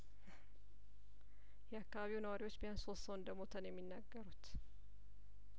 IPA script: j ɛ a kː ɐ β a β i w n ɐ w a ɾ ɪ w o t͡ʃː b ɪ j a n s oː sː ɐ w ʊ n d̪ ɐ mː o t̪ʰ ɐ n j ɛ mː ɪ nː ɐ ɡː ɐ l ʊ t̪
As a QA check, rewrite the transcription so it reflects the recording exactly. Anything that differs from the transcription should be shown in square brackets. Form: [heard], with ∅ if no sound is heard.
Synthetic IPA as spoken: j ɛ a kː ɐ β a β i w n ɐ w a ɾ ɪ w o t͡ʃː b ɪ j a n s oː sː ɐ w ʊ n d̪ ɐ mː o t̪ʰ ɐ n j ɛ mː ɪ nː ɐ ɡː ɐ [ɾ] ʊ t̪